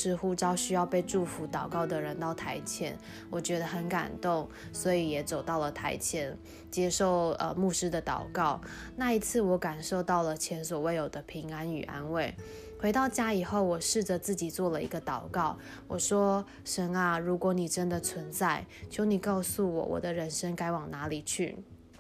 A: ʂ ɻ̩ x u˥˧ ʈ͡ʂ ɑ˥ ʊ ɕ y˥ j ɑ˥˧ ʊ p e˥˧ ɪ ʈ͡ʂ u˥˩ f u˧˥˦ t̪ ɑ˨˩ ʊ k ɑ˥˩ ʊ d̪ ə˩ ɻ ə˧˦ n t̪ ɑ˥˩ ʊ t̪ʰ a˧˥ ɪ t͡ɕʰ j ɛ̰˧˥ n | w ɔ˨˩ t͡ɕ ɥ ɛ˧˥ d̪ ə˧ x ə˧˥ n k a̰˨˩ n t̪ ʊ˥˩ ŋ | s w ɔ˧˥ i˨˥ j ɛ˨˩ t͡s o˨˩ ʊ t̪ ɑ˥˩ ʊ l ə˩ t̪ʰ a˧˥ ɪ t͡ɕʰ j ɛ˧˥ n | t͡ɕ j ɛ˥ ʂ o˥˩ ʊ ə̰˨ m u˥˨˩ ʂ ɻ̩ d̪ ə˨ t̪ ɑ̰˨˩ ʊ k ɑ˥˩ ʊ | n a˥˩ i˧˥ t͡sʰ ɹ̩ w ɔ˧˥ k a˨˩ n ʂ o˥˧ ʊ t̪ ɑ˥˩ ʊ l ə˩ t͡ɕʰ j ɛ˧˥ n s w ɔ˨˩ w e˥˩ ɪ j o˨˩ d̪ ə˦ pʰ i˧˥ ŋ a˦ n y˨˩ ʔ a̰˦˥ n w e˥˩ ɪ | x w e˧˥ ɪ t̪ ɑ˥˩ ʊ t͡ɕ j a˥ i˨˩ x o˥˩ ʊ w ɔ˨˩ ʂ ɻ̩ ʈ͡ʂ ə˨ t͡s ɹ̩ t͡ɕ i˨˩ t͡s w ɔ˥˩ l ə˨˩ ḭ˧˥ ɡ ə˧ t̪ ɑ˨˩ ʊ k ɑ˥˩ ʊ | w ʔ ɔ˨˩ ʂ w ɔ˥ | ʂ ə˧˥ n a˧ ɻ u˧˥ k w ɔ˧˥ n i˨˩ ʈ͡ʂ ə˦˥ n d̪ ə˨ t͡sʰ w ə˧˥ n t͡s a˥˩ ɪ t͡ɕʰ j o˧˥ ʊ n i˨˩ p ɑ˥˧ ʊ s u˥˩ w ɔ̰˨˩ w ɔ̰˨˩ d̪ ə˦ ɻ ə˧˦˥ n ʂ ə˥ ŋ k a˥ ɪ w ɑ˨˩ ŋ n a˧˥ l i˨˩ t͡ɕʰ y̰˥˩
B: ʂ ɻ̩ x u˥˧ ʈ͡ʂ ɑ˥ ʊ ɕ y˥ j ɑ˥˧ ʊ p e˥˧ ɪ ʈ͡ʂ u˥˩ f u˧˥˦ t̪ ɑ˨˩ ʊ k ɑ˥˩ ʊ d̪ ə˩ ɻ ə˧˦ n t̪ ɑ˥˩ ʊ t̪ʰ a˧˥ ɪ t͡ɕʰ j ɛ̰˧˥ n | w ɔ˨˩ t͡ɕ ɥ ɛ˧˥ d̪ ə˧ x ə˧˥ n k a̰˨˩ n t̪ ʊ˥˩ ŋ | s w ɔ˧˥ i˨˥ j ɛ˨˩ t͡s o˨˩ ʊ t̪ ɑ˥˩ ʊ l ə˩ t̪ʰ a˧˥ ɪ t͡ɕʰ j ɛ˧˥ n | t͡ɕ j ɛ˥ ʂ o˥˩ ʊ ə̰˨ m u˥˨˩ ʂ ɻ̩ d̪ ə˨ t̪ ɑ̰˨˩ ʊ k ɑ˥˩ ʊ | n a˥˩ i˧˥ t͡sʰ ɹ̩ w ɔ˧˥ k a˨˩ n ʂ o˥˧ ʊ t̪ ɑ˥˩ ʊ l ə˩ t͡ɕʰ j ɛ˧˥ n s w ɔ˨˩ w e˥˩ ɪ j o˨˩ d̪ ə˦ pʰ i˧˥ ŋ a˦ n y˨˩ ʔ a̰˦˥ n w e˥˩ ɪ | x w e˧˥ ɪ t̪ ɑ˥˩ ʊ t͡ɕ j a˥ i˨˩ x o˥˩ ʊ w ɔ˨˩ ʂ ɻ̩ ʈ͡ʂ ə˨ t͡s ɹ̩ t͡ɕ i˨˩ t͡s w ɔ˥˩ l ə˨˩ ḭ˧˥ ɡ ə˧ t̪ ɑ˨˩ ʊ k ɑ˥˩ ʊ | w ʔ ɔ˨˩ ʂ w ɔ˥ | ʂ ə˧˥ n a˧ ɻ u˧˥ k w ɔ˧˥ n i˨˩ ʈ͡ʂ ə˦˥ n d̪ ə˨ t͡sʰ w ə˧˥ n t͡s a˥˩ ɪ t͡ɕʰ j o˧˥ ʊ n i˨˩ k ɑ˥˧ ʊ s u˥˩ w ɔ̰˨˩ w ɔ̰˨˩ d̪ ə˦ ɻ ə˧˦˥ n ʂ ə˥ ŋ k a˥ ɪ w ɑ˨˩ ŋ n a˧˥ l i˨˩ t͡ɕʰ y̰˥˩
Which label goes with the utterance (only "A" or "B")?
B